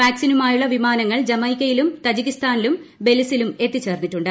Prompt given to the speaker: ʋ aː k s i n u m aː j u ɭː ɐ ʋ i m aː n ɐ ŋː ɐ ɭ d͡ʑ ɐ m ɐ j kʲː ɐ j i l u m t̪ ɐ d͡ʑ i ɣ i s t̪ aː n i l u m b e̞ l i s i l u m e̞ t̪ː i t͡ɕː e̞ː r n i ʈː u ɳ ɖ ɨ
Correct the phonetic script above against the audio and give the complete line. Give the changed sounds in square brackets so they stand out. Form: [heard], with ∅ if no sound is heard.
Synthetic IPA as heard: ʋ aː k s i n u m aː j u ɭː ɐ ʋ i m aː n ɐ ŋː ɐ ɭ d͡ʑ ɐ m ɐ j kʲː ɐ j i l u m t̪ ɐ d͡ʑ i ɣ i s t̪ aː n i l u m b e̞ l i s i l u m e̞ t̪ː i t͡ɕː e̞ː r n i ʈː u ɳ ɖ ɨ